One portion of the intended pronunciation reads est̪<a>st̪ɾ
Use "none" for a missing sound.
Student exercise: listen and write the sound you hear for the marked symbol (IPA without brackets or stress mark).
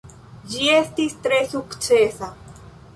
i